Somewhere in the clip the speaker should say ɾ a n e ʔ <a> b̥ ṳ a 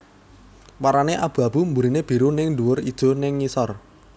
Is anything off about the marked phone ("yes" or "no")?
no